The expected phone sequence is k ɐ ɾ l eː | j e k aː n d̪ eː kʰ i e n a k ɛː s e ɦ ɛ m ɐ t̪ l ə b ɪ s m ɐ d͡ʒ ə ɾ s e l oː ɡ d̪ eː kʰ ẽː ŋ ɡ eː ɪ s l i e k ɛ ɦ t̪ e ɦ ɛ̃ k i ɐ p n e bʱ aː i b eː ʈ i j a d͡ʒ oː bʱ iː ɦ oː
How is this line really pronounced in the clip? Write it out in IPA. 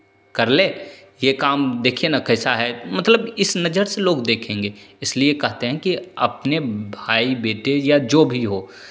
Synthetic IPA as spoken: k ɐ ɾ l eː | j e k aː m d̪ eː kʰ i e n a k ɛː s a ɦ ɛ m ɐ t̪ l ə b ɪ s n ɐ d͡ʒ ə ɾ s e l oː ɡ d̪ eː kʰ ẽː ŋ ɡ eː ɪ s l i e k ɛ ɦ t̪ e ɦ ɛ̃ k i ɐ p n e bʱ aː i b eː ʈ e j a d͡ʒ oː bʱ i ɦ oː